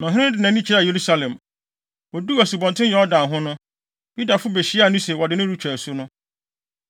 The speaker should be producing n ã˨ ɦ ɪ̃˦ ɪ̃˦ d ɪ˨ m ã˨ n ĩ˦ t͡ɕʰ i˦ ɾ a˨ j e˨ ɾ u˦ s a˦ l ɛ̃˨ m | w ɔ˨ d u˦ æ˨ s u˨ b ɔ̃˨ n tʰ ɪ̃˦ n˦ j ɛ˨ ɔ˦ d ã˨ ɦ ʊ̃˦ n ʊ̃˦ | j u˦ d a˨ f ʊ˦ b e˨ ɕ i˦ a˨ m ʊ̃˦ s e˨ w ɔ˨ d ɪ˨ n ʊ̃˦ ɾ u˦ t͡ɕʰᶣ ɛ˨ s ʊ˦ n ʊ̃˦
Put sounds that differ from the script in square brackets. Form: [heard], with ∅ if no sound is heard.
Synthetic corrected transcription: n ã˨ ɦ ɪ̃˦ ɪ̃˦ d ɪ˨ [n] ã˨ n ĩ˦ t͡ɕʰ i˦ ɾ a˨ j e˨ ɾ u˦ s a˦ l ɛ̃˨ m | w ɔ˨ d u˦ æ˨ s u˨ b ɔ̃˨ n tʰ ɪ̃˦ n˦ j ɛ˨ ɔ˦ d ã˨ ɦ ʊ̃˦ n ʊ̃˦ | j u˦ d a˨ f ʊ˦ b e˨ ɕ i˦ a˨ [n] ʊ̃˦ s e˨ w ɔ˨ d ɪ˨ n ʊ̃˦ ɾ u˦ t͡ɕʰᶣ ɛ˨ s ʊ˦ n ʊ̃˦

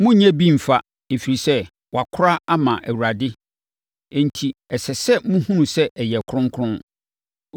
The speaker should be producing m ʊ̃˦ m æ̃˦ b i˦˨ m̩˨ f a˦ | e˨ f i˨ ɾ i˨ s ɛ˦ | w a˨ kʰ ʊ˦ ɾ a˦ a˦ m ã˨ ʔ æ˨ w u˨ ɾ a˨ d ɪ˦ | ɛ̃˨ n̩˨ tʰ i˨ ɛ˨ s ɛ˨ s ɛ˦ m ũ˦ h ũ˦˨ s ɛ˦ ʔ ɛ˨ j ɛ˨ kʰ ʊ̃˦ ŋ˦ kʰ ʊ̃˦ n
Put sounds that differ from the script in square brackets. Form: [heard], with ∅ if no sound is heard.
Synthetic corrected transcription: m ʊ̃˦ [ɲ] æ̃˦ b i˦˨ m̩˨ f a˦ | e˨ f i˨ ɾ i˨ s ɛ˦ | w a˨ kʰ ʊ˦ ɾ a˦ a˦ m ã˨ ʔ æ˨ w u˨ ɾ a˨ d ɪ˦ | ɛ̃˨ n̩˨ tʰ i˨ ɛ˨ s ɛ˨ s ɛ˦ m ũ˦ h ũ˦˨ s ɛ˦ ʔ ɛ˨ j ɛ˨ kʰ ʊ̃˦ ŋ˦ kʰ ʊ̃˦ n

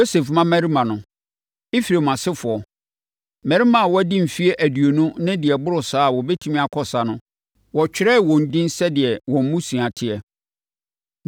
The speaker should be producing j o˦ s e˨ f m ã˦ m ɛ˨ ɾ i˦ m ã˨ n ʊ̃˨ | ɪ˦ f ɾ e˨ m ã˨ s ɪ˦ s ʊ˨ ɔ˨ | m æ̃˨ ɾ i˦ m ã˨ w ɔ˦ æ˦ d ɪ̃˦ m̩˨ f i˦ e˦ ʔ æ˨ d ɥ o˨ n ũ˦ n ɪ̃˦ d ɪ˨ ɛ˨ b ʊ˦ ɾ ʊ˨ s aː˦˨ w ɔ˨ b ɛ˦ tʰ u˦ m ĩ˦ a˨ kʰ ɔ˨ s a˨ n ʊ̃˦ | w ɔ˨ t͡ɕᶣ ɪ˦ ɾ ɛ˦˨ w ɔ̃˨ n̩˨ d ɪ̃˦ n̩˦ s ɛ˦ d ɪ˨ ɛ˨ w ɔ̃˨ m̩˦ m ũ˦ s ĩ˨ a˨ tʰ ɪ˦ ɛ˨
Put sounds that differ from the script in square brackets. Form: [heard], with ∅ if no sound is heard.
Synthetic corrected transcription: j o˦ s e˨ f m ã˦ m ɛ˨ ɾ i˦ m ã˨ n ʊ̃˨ | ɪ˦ f ɾ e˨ m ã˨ s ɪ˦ [f] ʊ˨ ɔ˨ | m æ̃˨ ɾ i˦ m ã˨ w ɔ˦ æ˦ d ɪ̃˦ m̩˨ f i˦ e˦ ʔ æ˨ d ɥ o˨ n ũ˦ n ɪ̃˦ d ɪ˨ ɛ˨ b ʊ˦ ɾ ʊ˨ s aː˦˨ w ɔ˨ b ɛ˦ tʰ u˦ m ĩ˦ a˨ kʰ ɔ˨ s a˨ n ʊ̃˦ | w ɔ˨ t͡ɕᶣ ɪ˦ ɾ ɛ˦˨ w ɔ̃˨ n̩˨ d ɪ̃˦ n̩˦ s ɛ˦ d ɪ˨ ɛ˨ w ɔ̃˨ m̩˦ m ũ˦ s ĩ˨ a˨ tʰ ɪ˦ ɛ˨

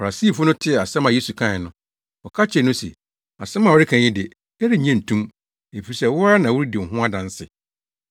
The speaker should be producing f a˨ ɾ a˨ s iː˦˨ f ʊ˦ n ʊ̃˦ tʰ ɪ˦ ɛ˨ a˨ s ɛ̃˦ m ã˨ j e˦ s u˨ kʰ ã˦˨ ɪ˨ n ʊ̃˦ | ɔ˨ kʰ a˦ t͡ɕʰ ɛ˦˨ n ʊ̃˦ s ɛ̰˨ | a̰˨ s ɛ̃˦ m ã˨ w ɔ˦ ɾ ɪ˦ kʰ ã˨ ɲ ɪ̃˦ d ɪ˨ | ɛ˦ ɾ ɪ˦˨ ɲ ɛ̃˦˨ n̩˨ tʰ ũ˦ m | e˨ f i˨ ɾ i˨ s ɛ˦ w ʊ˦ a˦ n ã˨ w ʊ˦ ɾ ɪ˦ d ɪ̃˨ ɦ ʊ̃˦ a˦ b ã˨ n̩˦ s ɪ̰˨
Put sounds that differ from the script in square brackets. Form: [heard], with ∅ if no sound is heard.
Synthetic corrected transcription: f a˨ ɾ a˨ s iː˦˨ f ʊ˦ n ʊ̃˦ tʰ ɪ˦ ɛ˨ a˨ s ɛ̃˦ m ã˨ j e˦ s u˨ kʰ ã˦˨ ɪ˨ n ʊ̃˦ | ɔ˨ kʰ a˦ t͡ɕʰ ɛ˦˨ n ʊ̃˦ s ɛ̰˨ | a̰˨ s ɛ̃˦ m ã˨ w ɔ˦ ɾ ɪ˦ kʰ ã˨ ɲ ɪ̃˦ d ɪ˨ | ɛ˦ ɾ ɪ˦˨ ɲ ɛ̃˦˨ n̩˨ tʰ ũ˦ m | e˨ f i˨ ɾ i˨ s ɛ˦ w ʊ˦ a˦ n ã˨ w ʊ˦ ɾ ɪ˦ d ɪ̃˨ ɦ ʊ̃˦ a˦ [d] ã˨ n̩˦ s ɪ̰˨

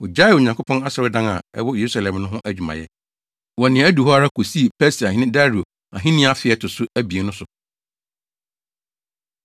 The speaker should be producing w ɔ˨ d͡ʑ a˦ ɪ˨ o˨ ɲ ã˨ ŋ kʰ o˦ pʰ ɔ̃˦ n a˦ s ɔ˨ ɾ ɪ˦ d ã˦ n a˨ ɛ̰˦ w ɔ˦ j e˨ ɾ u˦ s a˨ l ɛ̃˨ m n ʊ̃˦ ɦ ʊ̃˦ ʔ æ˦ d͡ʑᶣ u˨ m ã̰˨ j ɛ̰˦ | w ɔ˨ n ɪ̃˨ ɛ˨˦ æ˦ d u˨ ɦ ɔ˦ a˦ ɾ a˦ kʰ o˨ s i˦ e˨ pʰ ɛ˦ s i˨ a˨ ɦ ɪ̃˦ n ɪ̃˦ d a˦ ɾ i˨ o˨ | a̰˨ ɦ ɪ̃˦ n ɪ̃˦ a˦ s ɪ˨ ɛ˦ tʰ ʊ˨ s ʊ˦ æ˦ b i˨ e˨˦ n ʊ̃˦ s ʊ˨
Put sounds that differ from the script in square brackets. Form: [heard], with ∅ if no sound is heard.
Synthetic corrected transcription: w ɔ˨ d͡ʑ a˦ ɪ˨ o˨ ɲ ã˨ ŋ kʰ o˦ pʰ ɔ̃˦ n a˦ s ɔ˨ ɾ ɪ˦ d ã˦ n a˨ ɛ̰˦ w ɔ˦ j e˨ ɾ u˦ s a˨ l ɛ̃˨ m n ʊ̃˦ ɦ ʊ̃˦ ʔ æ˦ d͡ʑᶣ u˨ m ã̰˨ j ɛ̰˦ | w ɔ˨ n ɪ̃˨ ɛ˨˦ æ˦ d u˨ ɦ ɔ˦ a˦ ɾ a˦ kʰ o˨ s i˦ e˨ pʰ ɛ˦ s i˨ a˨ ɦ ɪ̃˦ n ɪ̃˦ d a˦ ɾ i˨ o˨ | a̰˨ ɦ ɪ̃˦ n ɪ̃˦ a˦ [f] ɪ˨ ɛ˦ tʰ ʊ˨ s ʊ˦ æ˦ b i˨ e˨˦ n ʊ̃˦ s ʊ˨

